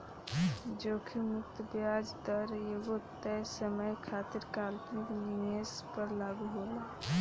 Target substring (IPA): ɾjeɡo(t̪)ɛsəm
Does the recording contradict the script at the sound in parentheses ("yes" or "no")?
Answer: no